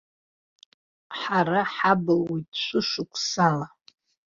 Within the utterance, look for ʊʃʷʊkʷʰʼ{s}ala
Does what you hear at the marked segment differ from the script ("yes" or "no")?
no